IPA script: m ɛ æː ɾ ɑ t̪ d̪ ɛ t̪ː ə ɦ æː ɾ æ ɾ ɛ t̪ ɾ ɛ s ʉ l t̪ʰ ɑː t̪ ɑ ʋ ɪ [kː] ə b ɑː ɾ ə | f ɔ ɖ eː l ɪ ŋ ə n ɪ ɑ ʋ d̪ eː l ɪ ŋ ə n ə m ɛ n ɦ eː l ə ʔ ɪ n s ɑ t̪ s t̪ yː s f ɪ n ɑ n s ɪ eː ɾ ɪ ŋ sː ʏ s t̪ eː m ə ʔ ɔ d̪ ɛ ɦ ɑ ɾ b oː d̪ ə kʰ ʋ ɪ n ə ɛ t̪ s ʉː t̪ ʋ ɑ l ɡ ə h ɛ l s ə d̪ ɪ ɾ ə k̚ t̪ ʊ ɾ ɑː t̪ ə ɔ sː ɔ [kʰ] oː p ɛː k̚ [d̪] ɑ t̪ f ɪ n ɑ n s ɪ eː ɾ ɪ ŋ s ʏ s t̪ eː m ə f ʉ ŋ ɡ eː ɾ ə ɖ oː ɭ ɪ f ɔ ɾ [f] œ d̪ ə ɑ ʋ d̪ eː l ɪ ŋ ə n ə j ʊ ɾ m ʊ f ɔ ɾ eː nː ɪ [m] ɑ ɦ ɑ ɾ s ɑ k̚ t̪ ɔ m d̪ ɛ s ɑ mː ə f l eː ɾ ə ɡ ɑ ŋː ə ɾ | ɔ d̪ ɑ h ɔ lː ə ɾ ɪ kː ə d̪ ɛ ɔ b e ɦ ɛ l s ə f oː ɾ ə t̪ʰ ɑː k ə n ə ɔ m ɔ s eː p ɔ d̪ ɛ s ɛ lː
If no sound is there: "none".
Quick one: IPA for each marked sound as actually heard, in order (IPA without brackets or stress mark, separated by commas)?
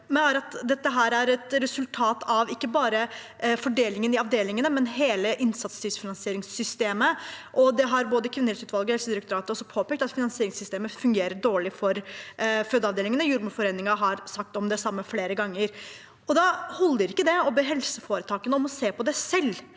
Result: kː, pʰ, t̪, f, ŋ